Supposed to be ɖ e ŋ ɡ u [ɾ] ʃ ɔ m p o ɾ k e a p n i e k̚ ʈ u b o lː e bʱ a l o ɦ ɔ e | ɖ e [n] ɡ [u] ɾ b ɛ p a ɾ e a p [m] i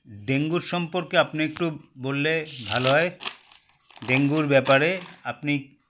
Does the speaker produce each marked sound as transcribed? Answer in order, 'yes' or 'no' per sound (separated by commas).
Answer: yes, no, yes, no